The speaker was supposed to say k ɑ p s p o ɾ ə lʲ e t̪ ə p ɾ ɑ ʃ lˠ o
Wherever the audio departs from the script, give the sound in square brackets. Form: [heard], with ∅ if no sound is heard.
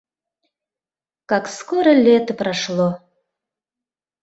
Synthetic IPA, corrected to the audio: k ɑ [k] s [k] o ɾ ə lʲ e t̪ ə p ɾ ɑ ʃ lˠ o